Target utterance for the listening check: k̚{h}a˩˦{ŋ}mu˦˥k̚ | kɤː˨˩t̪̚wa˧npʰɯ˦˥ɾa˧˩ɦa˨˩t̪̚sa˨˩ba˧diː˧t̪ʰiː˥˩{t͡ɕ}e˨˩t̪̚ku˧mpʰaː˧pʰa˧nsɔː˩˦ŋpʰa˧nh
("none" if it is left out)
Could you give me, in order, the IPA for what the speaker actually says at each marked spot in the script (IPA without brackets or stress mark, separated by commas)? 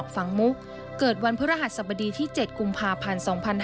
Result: f, ŋ, t͡ɕ